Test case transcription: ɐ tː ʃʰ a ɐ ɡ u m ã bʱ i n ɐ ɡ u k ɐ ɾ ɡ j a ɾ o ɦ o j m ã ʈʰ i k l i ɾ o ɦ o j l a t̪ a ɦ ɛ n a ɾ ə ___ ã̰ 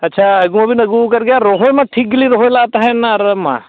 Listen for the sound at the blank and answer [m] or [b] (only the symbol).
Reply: m